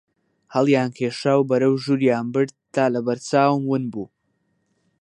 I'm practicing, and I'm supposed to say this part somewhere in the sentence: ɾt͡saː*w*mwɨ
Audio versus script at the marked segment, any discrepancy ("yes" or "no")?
no